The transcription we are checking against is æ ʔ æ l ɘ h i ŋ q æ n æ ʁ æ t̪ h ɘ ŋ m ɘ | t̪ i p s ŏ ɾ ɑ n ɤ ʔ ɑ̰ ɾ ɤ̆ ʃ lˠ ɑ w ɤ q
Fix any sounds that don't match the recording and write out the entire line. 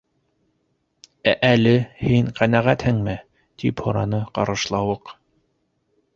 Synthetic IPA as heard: æ ʔ æ l ɘ h i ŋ q æ n æ ʁ æ t̪ h ɘ ŋ m ɘ | t̪ i p h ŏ ɾ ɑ n ɤ q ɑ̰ ɾ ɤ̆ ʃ lˠ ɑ w ɤ q